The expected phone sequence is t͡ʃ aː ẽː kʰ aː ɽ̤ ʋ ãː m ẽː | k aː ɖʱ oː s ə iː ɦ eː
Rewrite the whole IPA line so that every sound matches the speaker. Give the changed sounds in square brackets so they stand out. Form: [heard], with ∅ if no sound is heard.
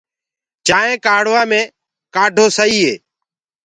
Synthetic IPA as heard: t͡ʃ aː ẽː [k] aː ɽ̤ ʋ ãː m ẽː | k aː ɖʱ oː s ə iː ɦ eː